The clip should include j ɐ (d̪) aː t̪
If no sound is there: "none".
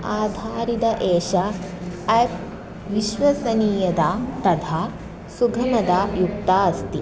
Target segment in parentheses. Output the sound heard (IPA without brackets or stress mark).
d̪